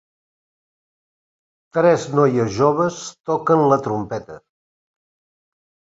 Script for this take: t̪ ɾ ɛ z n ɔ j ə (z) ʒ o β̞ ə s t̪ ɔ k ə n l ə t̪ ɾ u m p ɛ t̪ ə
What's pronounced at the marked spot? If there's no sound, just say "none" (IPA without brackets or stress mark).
z